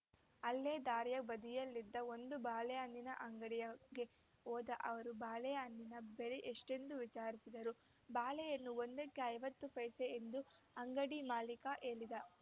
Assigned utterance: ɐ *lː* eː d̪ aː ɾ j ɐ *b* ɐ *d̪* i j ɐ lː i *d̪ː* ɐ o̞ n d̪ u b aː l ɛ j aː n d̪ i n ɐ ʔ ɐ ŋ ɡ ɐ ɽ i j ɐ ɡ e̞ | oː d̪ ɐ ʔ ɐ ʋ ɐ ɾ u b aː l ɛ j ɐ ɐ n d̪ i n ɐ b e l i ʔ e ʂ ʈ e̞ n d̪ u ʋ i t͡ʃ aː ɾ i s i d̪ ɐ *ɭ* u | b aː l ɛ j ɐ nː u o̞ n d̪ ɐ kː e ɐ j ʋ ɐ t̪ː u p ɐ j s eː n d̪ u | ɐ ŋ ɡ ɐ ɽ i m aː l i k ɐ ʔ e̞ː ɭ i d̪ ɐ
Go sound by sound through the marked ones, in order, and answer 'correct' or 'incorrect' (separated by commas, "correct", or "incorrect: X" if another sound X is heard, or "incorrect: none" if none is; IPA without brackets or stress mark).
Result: correct, correct, correct, correct, incorrect: ɾ